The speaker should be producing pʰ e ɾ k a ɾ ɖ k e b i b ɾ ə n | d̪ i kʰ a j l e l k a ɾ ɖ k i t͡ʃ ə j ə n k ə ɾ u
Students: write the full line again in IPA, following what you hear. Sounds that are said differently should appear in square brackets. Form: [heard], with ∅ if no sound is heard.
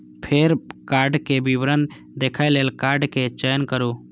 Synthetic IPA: pʰ e ɾ k a ɾ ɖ k e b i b ɾ ə n | d̪ [e] kʰ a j l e l k a ɾ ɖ k [e] t͡ʃ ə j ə n k ə ɾ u